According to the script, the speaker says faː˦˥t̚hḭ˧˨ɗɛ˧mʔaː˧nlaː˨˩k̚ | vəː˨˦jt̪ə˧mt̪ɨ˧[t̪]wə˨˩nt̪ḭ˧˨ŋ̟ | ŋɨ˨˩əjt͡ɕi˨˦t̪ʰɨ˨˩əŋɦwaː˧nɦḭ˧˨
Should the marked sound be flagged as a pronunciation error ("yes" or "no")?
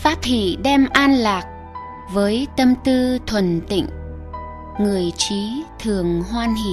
yes